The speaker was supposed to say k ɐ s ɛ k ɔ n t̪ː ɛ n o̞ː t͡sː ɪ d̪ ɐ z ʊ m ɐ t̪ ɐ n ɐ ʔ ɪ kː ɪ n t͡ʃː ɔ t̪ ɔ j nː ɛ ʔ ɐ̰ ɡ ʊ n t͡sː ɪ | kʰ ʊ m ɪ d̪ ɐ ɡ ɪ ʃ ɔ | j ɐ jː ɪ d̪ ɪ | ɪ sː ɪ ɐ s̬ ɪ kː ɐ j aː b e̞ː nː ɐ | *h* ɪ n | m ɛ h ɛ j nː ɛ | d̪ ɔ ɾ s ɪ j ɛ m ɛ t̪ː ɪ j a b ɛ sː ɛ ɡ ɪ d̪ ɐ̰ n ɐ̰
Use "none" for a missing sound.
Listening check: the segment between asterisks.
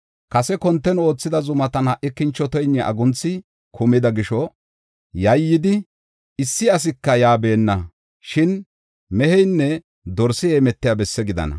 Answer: ʃ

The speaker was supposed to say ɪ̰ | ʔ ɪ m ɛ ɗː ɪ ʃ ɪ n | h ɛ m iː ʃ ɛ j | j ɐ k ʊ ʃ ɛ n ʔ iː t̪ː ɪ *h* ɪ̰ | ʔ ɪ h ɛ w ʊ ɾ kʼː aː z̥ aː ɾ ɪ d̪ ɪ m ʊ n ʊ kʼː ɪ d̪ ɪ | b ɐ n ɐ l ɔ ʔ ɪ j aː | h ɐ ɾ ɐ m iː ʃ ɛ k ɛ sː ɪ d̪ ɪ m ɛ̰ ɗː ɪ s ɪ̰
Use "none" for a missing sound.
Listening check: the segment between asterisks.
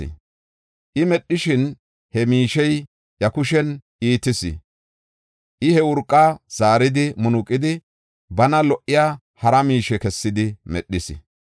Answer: s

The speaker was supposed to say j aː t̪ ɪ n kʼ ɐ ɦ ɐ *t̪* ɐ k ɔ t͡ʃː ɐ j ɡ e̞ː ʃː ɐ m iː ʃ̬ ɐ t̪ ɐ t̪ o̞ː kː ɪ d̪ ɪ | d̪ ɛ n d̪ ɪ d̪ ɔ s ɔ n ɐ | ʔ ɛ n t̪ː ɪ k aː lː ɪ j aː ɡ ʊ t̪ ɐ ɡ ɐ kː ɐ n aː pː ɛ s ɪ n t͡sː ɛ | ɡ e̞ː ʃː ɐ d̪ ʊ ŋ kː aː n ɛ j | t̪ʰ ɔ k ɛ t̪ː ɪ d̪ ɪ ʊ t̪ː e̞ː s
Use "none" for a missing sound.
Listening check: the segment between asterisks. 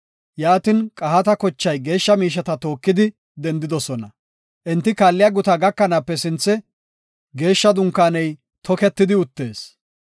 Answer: t̪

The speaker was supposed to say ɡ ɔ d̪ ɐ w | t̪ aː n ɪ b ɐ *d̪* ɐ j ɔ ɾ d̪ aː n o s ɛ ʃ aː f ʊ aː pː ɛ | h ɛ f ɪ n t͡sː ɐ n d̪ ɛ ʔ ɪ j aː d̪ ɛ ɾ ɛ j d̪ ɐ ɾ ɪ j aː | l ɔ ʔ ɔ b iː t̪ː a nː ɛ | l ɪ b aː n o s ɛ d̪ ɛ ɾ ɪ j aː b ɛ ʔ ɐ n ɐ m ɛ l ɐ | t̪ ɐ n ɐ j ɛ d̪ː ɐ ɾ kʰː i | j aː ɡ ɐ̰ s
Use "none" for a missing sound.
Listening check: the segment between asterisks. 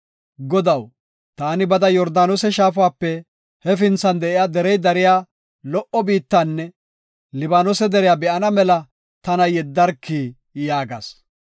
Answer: d̪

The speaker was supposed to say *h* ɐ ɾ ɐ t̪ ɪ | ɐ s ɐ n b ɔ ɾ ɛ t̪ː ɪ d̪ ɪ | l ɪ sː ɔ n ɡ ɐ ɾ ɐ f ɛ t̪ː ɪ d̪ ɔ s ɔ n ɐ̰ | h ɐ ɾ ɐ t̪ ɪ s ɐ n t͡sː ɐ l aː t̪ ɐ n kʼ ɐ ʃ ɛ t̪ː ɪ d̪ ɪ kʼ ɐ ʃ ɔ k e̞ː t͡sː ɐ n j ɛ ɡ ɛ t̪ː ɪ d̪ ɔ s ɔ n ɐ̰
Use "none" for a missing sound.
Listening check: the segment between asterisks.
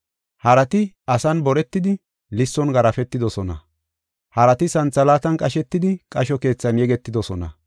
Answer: h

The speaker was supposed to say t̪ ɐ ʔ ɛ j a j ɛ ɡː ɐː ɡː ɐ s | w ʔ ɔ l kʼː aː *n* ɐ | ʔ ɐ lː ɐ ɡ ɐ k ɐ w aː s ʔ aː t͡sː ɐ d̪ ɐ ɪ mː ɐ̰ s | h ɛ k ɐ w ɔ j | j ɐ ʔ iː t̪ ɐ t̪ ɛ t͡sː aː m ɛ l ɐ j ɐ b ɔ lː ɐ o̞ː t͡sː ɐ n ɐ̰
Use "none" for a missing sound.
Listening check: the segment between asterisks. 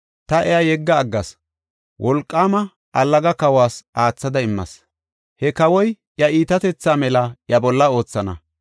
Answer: m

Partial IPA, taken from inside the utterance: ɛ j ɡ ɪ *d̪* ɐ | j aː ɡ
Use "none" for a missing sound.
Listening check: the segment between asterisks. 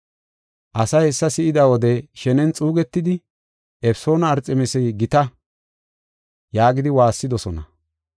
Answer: t̪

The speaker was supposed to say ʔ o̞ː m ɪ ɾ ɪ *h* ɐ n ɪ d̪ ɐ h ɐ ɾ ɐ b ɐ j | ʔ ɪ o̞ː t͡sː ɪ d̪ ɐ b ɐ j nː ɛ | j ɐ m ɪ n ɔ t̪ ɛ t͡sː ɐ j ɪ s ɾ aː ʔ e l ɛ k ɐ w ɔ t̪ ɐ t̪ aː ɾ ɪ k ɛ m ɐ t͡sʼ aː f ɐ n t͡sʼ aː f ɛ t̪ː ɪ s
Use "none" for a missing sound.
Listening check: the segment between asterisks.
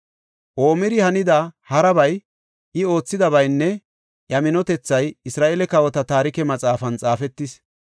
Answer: h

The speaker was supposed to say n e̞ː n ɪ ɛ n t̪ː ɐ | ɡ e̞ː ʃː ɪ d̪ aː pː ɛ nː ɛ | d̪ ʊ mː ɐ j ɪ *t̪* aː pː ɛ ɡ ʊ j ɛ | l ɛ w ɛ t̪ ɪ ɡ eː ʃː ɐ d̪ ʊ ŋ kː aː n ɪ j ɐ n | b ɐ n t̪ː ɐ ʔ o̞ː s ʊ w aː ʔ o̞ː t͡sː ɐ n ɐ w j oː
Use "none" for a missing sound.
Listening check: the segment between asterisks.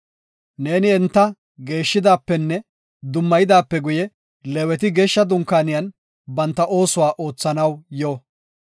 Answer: d̪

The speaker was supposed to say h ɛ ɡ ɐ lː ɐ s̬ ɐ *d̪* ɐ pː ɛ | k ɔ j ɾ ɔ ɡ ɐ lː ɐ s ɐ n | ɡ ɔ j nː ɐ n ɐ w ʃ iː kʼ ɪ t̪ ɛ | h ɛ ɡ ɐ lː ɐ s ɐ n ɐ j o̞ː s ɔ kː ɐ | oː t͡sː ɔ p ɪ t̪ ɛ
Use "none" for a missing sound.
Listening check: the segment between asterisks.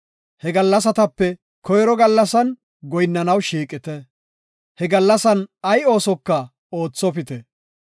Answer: t̪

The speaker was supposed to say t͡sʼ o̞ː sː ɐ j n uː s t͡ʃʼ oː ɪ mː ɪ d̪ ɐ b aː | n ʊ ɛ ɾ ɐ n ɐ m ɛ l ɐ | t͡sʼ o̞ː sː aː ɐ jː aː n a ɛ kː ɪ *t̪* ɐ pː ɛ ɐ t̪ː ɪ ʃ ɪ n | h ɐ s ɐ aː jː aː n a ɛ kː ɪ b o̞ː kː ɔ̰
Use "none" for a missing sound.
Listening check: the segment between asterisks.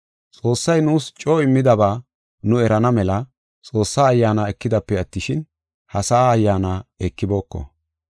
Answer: d̪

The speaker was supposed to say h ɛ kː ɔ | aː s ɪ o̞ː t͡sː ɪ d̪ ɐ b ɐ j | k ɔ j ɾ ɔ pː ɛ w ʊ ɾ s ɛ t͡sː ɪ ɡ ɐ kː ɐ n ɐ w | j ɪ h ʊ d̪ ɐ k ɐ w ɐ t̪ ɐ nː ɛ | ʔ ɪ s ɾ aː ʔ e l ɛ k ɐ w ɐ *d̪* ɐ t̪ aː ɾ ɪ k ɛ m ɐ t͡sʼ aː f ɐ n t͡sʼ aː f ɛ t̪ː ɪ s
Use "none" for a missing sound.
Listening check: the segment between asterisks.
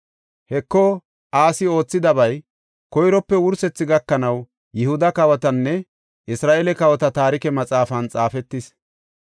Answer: t̪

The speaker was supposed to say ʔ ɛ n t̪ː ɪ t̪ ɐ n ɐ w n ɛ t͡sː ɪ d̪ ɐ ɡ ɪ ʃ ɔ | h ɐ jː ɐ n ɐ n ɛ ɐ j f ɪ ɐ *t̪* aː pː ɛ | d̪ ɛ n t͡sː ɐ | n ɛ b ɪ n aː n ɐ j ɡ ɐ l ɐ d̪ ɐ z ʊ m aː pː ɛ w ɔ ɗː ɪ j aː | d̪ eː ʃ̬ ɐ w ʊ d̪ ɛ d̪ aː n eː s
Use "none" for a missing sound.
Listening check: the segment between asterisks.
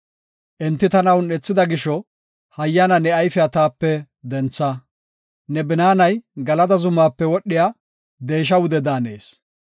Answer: t̪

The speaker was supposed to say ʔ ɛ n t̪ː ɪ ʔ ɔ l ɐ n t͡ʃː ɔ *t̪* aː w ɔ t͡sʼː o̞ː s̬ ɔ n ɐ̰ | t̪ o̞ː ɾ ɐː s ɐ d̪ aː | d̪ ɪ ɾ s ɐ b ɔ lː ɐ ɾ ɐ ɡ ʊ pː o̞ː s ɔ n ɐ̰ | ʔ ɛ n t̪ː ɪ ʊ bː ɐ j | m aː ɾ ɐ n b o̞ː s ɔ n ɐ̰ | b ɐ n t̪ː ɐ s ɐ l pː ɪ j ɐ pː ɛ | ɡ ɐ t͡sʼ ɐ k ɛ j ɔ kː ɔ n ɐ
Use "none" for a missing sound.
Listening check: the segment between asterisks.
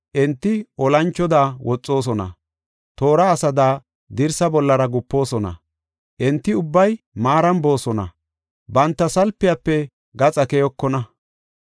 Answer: d̪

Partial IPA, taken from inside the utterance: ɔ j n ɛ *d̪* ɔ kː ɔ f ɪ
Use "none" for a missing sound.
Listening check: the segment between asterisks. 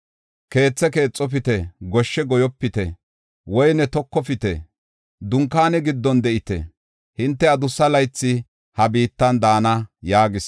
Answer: t̪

